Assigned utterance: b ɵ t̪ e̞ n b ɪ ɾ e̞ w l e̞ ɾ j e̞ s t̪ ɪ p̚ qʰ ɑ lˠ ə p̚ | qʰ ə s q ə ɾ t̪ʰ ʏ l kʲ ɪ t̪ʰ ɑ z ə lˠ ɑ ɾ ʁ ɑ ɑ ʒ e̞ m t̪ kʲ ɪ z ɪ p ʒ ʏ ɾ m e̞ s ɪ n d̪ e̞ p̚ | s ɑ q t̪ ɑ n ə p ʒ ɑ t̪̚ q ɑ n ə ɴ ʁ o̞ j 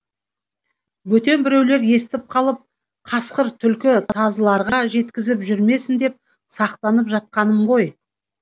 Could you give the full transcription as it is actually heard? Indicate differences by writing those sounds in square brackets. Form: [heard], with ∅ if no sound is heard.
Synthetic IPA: [w] ɵ t̪ e̞ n b ɪ ɾ e̞ w l e̞ ɾ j e̞ s t̪ ɪ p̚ qʰ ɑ lˠ ə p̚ | qʰ [ɑ] s q ə ɾ t̪ʰ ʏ l kʲ ɪ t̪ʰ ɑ z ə lˠ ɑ ɾ ʁ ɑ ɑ ʒ e̞ [∅] t̪ kʲ ɪ z ɪ p ʒ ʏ ɾ m e̞ s ɪ n d̪ e̞ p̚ | s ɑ q t̪ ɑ n ə p ʒ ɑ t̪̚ q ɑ n ə [m] ʁ o̞ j